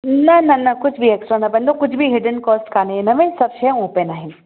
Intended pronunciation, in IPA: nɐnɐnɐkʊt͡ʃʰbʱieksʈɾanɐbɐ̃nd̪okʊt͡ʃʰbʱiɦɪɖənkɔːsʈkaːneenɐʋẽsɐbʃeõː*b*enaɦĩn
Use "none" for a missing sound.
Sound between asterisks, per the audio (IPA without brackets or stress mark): p